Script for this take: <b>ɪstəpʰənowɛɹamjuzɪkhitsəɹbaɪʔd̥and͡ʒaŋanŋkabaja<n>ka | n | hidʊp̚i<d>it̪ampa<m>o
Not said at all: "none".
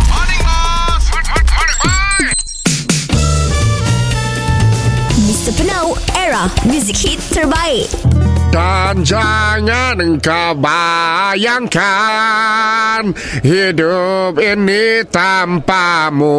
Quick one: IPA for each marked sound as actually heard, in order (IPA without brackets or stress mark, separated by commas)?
m, ŋ, n, m